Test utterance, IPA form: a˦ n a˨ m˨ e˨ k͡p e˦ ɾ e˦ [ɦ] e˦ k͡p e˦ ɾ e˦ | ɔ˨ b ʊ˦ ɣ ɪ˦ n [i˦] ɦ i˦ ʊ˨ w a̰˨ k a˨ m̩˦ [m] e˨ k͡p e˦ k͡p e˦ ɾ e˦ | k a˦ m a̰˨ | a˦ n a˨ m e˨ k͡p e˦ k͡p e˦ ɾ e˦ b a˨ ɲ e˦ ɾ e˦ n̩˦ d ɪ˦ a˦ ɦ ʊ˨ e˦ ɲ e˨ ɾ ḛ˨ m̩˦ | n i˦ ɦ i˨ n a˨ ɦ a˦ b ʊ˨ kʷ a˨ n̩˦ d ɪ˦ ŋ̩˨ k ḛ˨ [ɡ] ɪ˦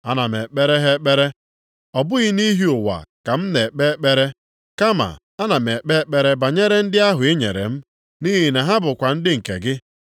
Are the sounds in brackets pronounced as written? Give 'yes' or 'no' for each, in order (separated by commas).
yes, yes, no, yes